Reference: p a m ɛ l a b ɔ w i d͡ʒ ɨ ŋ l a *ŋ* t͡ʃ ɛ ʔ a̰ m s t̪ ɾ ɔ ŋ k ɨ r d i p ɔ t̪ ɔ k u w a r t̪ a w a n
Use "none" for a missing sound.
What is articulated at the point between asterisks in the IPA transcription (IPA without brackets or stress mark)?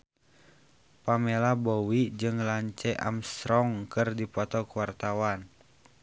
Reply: ɲ